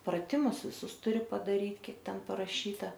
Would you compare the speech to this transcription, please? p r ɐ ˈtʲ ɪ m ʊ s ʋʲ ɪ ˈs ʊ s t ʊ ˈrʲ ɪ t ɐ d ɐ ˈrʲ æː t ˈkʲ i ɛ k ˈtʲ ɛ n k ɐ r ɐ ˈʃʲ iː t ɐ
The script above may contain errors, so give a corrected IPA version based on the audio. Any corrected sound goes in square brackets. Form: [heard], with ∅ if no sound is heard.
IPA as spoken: p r ɐ ˈtʲ ɪ m ʊ s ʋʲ ɪ ˈs ʊ s t ʊ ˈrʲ ɪ [p] ɐ d ɐ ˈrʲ [iː] t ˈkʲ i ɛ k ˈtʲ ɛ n [p] ɐ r ɐ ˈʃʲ iː t ɐ